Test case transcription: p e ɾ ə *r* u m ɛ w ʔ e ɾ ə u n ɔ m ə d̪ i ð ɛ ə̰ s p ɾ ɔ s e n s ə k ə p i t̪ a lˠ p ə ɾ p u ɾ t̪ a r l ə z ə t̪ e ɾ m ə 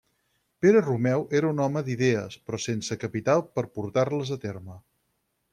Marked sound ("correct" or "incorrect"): correct